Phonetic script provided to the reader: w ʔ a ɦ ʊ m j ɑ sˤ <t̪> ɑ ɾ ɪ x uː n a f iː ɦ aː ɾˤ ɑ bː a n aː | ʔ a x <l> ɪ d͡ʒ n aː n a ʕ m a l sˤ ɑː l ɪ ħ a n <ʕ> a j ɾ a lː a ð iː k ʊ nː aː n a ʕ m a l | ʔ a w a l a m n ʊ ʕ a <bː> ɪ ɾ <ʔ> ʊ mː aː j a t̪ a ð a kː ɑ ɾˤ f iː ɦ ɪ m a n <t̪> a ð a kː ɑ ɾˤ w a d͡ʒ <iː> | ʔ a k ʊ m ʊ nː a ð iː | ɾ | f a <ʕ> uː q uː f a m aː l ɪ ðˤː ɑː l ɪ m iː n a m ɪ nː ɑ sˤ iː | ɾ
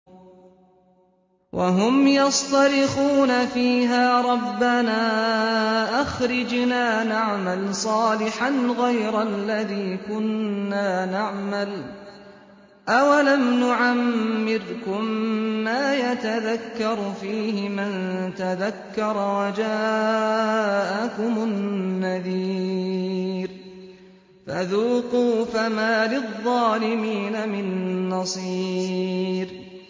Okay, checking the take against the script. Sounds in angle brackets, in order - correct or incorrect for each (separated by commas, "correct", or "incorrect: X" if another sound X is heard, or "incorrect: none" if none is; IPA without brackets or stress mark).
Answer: correct, incorrect: ɾ, incorrect: ɣ, incorrect: mː, incorrect: k, correct, incorrect: aː, incorrect: ð